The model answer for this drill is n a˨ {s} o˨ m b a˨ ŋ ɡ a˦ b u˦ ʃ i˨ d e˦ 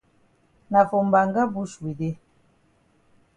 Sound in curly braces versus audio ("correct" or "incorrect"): incorrect